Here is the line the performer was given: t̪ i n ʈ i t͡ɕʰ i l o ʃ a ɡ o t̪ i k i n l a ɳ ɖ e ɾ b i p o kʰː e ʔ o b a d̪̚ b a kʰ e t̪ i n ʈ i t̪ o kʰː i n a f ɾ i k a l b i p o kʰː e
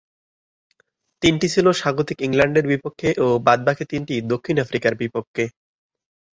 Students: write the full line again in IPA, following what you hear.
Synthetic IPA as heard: t̪ i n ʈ i t͡ɕʰ i l o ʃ a ɡ o t̪ i k i ŋ l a ɳ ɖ e ɾ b i p o kʰː e ʔ o b a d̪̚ b a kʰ e t̪ i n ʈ i d̪ o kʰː i n a f ɾ i k a ɾ b i p o kʰː e